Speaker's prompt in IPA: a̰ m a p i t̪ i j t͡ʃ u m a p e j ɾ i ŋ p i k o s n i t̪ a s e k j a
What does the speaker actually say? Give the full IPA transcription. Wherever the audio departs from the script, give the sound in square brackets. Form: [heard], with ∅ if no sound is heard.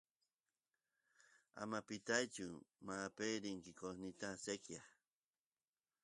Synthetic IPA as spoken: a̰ m a p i t̪ [a] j t͡ʃ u m a p e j ɾ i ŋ [k] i k o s n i t̪ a s e k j a